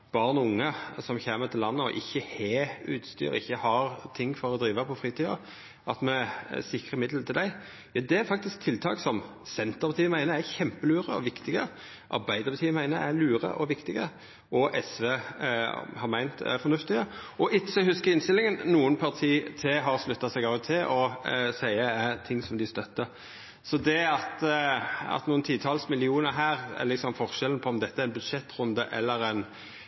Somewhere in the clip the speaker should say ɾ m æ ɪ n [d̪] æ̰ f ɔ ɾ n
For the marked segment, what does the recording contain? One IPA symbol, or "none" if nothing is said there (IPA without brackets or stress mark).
t̪